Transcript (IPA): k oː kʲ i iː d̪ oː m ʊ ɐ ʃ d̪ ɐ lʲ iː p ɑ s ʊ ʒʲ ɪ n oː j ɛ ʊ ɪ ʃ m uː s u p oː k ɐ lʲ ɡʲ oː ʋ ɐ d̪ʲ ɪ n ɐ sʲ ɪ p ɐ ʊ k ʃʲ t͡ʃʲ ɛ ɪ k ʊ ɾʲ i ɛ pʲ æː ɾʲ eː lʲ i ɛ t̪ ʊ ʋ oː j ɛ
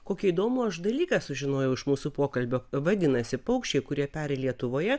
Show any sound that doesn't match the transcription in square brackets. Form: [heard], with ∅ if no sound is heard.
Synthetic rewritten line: k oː kʲ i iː d̪ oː m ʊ ɐ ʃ d̪ ɐ lʲ iː [k] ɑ s ʊ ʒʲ ɪ n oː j ɛ ʊ ɪ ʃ m uː s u p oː k ɐ lʲ [bʲ] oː ʋ ɐ d̪ʲ ɪ n ɐ sʲ ɪ p ɐ ʊ k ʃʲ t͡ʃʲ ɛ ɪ k ʊ ɾʲ i ɛ pʲ æː ɾʲ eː lʲ i ɛ t̪ ʊ ʋ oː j ɛ